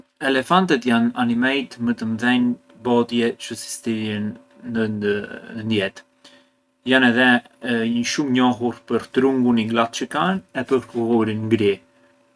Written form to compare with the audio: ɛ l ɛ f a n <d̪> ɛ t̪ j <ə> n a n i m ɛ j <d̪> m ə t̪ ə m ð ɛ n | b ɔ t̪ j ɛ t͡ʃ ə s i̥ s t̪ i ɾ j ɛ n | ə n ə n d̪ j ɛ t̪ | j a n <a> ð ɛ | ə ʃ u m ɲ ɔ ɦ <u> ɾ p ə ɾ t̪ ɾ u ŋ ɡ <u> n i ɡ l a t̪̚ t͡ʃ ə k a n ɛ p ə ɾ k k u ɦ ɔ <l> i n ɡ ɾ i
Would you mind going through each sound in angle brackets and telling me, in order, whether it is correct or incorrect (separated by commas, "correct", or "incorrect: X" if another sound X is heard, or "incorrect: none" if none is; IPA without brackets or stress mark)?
incorrect: t̪, incorrect: a, incorrect: t̪, incorrect: ɛ, correct, correct, incorrect: ɾ